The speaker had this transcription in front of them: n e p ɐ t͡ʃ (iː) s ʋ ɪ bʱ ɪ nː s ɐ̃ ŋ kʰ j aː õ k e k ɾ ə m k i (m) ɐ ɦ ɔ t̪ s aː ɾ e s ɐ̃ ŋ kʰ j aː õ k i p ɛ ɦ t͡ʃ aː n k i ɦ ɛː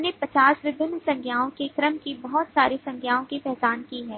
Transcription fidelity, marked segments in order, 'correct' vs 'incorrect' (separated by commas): incorrect, incorrect